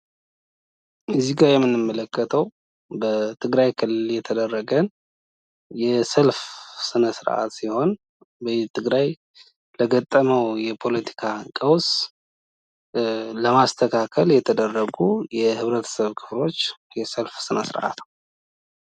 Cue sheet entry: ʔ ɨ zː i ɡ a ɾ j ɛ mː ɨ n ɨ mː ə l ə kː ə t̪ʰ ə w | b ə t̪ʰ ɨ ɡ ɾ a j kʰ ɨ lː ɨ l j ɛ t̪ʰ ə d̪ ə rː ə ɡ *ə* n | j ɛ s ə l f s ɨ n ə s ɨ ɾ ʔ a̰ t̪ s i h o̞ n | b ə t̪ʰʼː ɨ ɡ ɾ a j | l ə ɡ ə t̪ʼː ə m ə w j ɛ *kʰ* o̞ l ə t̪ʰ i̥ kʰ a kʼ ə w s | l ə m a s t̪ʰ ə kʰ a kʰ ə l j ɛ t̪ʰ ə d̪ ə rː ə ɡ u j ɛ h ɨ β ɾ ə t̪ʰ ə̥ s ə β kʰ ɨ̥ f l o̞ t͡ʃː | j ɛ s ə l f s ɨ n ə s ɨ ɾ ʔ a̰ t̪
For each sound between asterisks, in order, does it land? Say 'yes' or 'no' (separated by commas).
yes, no